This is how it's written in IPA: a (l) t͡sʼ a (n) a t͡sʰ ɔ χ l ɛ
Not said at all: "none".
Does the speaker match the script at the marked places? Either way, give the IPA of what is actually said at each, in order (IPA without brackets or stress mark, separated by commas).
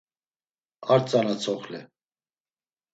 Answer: ɾ, n